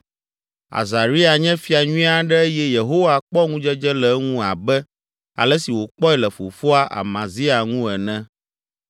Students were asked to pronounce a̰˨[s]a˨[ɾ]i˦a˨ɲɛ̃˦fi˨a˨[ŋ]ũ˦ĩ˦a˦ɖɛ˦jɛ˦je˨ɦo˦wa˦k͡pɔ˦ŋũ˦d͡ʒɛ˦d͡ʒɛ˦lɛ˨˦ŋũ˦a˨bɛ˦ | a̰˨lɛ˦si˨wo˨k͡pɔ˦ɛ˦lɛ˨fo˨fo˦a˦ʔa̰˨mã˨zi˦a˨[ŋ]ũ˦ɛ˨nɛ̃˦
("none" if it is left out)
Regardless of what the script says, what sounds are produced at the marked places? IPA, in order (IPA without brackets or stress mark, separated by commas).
z, ɾ, ɲ, ŋ